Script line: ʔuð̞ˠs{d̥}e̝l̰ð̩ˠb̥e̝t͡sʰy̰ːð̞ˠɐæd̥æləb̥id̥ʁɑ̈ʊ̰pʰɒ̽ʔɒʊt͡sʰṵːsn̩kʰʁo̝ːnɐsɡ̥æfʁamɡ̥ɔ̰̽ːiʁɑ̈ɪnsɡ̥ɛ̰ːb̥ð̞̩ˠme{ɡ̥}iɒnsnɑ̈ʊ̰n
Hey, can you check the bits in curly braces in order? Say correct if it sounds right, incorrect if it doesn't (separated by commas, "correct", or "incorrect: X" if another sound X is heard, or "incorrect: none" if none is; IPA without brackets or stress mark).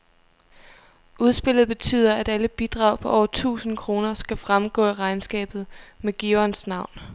incorrect: b̥, correct